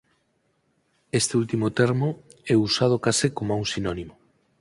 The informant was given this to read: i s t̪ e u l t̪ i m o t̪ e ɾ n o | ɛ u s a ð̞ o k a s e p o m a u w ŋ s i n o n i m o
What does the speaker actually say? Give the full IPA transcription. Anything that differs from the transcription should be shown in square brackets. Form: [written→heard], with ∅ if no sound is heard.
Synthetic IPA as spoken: [i→e] s t̪ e u l t̪ i m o t̪ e ɾ [n→m] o | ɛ u s a ð̞ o k a s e [p→k] o m a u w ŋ s i n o n i m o